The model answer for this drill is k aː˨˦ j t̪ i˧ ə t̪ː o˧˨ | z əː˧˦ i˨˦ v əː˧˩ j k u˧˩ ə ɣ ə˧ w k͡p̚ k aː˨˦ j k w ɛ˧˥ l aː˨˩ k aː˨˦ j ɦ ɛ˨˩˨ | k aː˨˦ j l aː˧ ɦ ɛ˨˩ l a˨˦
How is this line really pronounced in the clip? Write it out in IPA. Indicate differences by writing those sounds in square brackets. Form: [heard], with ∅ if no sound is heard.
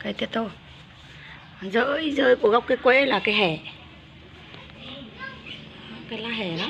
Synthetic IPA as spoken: k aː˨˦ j t̪ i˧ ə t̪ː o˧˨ | z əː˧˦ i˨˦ [z] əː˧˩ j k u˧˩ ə ɣ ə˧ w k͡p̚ k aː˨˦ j k w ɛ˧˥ l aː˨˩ k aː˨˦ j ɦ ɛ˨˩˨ | k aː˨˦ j l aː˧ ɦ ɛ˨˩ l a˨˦